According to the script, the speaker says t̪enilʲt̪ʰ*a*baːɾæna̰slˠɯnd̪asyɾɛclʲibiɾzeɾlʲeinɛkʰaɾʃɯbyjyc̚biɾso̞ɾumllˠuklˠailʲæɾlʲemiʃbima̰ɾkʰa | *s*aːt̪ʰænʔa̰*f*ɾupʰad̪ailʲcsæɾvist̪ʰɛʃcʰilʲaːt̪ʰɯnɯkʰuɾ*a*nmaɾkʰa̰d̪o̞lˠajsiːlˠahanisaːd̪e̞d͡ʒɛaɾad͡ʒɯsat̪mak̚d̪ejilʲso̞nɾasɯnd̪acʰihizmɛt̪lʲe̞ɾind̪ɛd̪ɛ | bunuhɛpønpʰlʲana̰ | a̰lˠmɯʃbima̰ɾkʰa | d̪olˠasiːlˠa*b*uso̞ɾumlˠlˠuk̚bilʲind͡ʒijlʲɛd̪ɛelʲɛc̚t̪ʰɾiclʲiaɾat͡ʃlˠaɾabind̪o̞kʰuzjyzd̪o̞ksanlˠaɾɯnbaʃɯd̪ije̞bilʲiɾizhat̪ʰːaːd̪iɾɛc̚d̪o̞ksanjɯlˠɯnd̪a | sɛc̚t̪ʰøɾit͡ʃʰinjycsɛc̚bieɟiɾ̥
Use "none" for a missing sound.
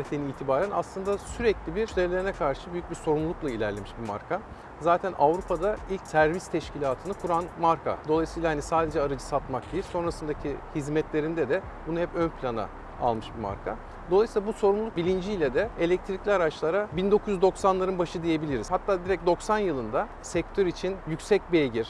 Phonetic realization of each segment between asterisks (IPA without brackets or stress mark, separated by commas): i, z, v, a, b